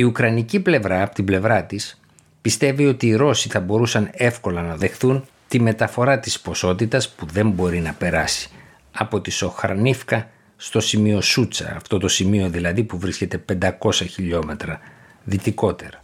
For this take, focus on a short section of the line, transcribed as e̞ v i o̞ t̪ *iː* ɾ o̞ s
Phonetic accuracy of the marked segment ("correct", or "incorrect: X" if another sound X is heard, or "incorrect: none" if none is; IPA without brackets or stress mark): correct